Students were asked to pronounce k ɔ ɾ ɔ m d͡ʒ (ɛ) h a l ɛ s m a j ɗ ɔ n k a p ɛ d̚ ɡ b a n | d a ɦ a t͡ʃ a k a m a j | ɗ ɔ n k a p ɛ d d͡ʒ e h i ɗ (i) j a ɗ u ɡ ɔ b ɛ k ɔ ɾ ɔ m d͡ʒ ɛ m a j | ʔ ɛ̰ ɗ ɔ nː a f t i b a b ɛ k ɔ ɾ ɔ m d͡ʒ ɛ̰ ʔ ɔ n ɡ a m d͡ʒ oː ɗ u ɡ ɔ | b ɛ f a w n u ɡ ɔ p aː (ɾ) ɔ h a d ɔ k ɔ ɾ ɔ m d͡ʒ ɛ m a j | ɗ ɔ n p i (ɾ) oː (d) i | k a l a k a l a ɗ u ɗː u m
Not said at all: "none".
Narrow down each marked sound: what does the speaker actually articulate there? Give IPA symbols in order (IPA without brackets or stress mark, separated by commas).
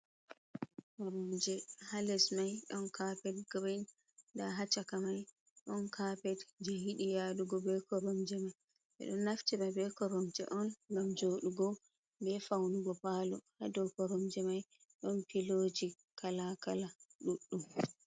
ɛ, i, l, l, d͡ʒ